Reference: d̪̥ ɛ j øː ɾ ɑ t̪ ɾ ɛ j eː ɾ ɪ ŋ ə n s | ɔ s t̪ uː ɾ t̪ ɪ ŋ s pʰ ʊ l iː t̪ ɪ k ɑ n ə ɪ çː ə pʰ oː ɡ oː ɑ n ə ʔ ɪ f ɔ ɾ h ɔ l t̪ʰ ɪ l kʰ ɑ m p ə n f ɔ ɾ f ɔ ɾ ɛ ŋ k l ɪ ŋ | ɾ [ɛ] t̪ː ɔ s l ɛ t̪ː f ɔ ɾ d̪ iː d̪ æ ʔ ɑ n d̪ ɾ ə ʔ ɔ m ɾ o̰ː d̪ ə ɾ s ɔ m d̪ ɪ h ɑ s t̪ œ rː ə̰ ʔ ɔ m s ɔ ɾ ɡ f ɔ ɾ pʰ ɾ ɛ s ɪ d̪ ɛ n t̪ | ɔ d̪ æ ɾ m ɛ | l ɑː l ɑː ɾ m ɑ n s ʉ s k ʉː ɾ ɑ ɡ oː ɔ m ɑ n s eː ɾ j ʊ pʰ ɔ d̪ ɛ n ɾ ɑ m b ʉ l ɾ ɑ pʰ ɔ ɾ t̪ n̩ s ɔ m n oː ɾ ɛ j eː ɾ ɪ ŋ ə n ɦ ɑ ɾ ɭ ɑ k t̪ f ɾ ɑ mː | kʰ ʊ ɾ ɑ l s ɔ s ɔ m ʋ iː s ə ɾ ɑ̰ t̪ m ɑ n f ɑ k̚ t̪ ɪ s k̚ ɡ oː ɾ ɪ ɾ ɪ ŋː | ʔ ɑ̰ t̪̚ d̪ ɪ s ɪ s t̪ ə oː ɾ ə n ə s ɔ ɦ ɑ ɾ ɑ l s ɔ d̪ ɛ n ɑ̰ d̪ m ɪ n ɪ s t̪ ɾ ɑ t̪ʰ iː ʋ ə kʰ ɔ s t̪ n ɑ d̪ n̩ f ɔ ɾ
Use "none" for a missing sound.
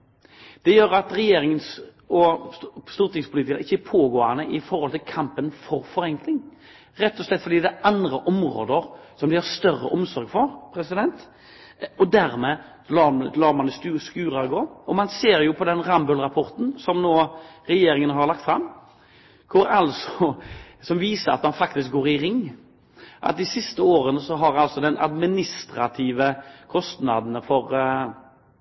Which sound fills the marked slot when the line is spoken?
ɛ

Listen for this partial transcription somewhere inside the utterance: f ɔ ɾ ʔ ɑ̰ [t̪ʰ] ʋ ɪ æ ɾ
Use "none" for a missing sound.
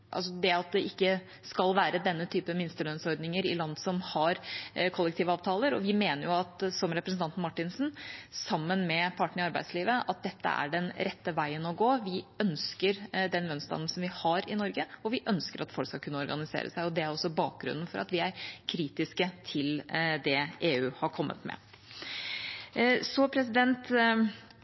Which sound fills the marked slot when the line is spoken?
t̪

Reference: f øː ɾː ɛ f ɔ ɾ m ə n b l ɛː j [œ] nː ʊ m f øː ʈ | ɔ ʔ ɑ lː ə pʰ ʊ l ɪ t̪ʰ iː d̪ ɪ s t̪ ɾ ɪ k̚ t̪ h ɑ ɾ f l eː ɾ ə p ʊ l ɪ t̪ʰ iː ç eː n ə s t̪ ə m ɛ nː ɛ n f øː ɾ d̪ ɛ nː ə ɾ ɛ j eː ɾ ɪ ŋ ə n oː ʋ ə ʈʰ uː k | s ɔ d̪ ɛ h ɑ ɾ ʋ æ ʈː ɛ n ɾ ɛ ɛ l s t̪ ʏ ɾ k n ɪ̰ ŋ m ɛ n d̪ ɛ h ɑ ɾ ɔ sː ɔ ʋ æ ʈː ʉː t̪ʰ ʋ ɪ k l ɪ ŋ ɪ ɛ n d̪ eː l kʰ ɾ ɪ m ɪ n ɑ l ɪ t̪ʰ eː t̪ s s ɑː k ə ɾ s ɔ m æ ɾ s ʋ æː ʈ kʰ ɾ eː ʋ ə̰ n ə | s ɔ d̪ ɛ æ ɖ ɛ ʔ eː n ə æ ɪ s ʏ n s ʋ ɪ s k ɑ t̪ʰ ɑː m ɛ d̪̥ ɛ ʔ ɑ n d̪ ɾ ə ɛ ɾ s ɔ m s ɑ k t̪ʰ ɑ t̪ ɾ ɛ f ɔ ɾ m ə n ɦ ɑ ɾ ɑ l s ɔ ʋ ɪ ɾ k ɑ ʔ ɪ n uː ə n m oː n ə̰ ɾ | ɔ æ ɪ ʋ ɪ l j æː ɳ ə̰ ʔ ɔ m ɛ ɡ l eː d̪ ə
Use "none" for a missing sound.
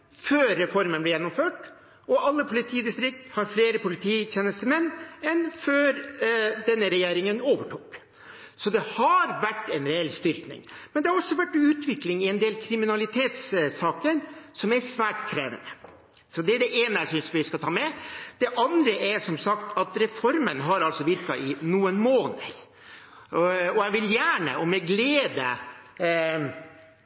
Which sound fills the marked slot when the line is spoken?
ɛ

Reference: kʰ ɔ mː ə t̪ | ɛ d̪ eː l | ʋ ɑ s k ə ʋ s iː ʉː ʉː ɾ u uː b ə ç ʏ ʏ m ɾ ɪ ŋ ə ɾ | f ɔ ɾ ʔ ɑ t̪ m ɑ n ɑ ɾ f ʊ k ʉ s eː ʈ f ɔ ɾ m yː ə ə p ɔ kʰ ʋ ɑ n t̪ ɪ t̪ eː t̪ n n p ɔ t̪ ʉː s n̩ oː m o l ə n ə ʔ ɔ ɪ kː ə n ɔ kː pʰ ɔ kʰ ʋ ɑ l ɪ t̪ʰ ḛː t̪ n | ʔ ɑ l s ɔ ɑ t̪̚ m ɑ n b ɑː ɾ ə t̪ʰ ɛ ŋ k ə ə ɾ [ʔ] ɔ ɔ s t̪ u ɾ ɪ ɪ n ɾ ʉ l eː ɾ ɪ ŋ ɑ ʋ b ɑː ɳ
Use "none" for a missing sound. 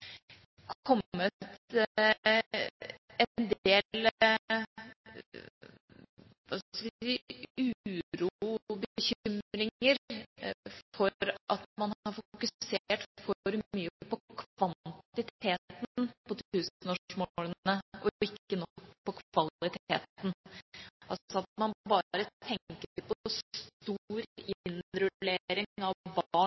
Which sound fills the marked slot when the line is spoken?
p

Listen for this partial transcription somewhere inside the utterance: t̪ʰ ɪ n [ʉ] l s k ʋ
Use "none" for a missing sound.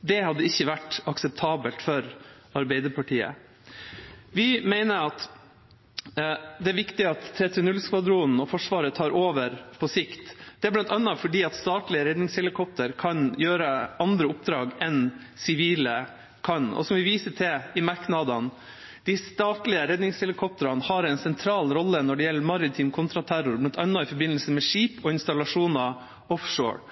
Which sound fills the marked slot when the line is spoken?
ʉ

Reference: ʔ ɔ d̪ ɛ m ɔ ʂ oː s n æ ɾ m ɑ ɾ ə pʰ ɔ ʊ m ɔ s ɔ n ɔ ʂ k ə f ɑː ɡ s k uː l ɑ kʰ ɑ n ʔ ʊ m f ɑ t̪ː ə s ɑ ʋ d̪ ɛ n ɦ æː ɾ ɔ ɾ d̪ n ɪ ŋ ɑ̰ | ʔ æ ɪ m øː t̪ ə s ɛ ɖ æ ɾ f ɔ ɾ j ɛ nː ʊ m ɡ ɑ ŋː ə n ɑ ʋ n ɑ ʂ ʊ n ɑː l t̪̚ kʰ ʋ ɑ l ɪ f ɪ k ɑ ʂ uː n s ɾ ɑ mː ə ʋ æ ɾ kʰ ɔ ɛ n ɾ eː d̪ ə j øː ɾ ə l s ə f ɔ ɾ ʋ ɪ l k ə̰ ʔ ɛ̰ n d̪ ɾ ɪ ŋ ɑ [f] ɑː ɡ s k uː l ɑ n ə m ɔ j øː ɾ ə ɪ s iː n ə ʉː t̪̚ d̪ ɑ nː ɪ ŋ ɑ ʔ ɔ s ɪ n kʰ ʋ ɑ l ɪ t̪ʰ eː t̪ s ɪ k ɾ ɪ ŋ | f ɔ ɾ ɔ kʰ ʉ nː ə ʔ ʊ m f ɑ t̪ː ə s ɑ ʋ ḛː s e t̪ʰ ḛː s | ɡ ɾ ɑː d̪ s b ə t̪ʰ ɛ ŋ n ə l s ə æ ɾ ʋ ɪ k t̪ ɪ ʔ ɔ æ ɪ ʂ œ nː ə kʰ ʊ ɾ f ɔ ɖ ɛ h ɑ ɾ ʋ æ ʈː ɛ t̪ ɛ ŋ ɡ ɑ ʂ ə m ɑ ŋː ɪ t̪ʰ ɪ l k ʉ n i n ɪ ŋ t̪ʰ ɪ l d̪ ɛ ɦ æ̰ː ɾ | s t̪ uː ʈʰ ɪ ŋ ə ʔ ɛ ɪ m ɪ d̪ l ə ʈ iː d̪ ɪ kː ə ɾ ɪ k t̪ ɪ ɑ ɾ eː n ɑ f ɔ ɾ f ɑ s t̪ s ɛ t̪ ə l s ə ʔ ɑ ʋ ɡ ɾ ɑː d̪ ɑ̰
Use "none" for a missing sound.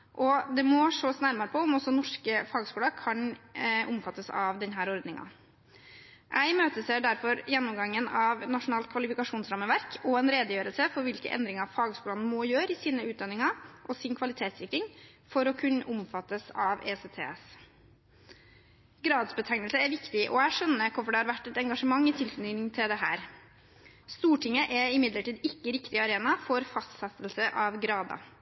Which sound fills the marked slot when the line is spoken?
f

